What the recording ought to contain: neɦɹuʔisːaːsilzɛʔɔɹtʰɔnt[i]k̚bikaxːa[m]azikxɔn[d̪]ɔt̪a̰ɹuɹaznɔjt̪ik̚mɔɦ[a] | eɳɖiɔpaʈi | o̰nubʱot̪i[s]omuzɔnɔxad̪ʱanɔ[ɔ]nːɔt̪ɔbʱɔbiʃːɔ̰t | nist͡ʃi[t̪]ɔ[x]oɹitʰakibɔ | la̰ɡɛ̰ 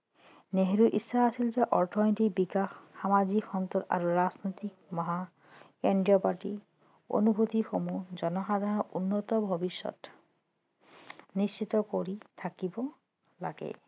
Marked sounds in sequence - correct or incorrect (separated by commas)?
correct, correct, incorrect, correct, incorrect, incorrect, correct, incorrect